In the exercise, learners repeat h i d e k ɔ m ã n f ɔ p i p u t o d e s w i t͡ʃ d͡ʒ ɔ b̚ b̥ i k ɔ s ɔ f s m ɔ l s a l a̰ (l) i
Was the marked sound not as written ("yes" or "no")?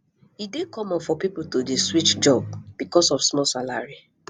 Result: yes